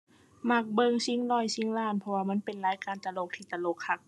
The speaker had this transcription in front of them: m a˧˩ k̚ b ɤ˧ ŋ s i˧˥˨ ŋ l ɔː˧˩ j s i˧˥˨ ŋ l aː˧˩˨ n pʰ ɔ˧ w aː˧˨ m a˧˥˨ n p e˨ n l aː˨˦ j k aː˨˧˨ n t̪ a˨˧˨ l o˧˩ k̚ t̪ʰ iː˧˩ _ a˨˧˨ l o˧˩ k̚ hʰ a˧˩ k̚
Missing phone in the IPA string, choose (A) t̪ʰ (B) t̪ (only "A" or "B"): B